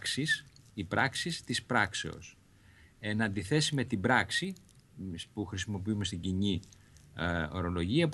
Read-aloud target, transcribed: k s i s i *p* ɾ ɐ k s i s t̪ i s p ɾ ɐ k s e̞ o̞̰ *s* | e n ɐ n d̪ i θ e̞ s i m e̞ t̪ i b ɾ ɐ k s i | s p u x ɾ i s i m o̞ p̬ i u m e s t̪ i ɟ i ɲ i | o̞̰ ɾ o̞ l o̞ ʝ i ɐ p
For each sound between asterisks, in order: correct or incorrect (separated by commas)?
correct, correct